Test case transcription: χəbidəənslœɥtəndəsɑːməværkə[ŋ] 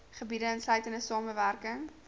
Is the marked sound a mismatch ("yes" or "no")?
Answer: no